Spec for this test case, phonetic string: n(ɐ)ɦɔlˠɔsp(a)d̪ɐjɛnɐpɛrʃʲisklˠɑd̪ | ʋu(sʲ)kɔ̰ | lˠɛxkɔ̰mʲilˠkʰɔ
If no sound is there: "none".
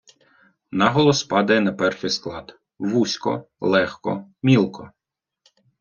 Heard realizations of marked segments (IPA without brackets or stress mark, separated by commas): ɑ, ɑ, sʲ